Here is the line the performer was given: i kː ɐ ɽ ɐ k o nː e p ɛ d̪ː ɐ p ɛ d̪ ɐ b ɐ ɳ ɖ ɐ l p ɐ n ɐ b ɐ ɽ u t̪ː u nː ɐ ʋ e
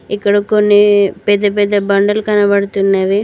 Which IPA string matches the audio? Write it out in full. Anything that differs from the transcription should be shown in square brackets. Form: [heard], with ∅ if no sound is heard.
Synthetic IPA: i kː ɐ ɽ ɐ k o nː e p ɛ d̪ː ɐ p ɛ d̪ ɐ b ɐ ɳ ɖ ɐ l [k] ɐ n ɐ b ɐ ɽ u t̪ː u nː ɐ ʋ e